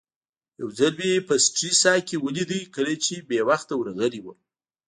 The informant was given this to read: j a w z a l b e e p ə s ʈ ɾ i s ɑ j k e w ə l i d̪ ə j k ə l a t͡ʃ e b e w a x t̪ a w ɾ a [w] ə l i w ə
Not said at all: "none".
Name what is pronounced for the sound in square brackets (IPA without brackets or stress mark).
ɣ